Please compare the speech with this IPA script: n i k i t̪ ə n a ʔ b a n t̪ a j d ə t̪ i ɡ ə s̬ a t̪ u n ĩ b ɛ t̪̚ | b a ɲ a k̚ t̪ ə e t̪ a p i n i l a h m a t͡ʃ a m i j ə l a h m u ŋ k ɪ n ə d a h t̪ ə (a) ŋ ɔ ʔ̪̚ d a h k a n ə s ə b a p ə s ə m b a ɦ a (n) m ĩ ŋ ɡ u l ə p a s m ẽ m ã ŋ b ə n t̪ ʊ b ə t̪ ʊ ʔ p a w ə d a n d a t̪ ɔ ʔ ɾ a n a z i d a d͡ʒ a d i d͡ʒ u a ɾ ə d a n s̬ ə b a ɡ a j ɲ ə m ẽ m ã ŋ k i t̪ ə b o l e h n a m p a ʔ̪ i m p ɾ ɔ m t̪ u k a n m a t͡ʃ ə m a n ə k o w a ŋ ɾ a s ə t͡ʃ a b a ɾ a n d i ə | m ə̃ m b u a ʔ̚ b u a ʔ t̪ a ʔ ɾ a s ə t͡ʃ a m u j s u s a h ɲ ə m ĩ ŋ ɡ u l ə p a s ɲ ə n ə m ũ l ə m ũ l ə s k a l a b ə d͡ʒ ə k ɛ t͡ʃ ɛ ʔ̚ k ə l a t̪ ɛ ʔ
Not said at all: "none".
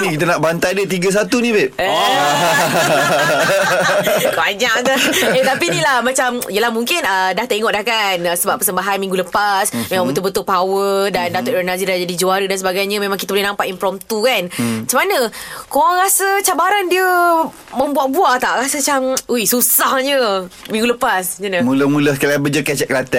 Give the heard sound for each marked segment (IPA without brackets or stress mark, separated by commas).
i, n